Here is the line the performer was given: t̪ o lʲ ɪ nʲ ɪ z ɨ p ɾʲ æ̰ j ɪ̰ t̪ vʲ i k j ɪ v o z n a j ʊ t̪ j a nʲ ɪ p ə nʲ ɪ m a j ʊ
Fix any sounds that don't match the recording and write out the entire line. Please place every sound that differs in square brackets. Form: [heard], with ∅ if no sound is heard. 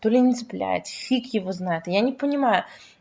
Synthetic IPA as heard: t̪ o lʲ ɪ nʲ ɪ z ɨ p [lʲ] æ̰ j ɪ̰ t̪ [fʲ] i k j ɪ v o z n a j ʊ t̪ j a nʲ ɪ p ə nʲ ɪ m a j ʊ